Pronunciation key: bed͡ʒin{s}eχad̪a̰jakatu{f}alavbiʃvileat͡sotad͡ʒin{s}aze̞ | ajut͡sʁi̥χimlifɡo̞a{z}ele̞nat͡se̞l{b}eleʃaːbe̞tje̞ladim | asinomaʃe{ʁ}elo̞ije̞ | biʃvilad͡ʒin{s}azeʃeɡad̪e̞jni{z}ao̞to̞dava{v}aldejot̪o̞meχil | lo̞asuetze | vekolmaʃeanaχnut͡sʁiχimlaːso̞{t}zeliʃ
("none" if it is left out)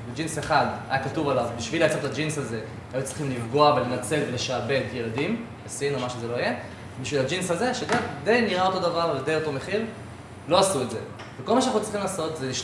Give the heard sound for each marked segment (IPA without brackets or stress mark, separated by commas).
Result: s, v, s, v, v, z, s, ʁ, ʁ, t